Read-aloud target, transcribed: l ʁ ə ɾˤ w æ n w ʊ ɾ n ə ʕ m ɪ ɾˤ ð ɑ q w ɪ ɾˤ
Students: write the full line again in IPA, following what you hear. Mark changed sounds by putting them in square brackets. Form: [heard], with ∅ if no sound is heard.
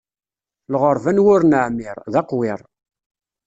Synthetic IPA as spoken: l ʁ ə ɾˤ [v] æ n w ʊ ɾ n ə ʕ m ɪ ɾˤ ð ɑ q w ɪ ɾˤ